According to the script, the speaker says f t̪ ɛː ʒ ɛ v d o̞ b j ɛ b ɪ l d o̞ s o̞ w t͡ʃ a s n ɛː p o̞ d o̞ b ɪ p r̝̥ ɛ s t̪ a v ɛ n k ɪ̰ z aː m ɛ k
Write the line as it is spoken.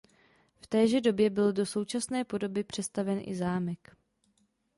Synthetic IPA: f t̪ ɛː ʒ ɛ d o̞ b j ɛ b ɪ l d o̞ s o̞ w t͡ʃ a s n ɛː p o̞ d o̞ b ɪ p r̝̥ ɛ s t̪ a v ɛ n ʔ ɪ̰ z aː m ɛ k